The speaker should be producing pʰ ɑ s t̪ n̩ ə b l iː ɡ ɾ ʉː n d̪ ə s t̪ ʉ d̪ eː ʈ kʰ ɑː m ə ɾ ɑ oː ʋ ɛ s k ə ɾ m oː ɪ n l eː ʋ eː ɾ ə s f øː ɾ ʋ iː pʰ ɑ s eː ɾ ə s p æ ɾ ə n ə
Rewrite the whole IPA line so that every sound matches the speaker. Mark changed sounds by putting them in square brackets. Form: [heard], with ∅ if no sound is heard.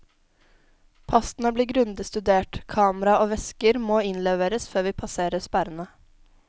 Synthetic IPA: pʰ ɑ s t̪ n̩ ə b l iː ɡ ɾ [ʉ] n d̪ ə s t̪ ʉ d̪ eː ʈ kʰ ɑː m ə ɾ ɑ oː ʋ ɛ s k ə ɾ m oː ɪ n l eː ʋ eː ɾ ə s f øː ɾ ʋ iː pʰ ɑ s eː ɾ ə s p æ ɾ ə n ə